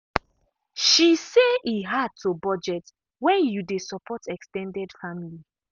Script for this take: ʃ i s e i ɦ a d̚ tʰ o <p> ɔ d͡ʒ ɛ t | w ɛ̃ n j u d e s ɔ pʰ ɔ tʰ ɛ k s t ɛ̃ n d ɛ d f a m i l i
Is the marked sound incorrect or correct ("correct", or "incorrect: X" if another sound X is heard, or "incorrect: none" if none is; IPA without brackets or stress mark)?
incorrect: b